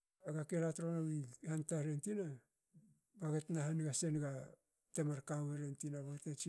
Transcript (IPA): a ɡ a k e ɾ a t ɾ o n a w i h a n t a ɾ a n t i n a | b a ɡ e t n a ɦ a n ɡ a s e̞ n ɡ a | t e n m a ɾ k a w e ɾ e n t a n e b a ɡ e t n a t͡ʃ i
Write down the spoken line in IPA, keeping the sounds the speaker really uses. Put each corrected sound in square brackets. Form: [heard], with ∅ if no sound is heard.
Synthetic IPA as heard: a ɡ a k e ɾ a t ɾ o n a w i h a n t a ɾ [e] n t i n a | b a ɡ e t n a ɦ a n ɡ a s e̞ n ɡ a | t e [∅] m a ɾ k a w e ɾ e n t [i] n [a] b a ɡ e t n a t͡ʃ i